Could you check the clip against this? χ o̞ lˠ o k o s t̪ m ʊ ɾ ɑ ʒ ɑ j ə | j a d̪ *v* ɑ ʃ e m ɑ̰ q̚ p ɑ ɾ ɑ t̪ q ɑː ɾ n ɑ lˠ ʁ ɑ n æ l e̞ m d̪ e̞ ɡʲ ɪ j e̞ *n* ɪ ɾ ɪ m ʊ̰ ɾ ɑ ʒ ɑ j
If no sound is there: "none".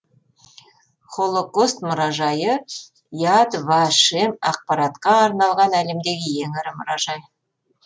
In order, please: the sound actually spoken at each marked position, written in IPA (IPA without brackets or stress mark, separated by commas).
v, ŋ